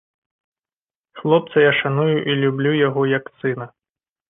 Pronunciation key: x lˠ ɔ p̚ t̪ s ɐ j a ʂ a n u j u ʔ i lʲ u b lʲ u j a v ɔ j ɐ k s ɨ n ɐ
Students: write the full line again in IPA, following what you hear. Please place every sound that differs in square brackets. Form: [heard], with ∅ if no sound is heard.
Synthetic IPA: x lˠ ɔ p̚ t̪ s ɐ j a ʂ a n u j u ʔ i lʲ u b lʲ u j a [ɣ] ɔ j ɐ k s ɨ n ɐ